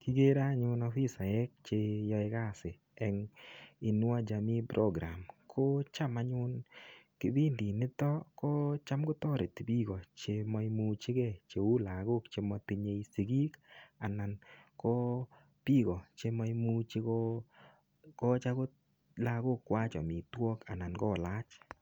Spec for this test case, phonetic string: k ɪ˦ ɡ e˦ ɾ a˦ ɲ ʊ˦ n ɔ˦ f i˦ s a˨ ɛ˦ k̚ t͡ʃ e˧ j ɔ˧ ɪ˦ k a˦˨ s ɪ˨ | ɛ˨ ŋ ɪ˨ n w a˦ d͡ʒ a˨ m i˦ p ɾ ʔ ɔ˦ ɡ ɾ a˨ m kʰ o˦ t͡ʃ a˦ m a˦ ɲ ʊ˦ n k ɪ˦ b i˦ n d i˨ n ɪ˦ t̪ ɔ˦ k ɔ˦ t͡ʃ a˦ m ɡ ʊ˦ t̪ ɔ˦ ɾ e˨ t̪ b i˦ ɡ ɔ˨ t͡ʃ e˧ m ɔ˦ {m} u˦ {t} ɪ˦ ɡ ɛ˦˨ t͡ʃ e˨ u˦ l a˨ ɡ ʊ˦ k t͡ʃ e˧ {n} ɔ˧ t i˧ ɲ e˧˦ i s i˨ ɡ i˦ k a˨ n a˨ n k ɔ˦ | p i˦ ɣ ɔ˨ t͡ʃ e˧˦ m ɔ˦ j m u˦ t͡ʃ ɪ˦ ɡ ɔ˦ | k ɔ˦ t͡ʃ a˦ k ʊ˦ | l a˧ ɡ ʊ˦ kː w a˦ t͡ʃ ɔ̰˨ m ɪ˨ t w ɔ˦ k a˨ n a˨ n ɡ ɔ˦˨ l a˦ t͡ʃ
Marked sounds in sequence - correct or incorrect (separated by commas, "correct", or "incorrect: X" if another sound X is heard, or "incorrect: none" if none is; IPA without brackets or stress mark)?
correct, incorrect: t͡ʃ, incorrect: m